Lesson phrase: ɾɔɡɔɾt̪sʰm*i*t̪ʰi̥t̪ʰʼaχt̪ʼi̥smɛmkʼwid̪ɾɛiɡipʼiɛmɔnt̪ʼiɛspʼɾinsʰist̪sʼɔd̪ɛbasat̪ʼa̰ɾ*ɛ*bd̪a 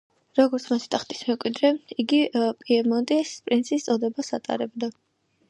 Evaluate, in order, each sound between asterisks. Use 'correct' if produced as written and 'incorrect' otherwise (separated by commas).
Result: incorrect, correct